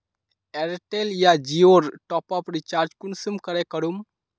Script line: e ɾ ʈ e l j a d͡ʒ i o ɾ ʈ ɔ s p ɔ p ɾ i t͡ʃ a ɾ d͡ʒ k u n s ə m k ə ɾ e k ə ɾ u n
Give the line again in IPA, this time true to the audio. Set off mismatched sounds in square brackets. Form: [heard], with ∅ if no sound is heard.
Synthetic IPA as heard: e ɾ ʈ e l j a d͡ʒ i o ɾ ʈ ɔ [∅] p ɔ p ɾ i t͡ʃ a ɾ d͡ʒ k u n s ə m k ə ɾ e k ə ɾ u [m]